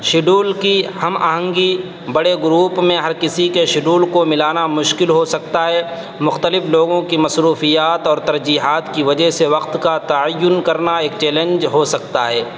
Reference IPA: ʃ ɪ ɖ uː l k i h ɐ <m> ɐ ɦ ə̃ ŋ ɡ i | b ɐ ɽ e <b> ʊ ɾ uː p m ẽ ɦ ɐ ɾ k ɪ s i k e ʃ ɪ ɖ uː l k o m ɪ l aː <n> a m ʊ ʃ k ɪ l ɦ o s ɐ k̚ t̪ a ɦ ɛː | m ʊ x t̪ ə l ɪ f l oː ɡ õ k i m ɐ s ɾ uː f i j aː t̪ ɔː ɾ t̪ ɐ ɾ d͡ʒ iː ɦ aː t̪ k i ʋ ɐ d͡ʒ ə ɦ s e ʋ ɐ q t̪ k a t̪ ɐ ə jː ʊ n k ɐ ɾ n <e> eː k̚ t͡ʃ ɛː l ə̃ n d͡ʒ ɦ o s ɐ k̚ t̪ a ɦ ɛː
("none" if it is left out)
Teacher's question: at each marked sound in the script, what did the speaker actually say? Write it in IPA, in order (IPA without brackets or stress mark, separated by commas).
m, ɡ, n, a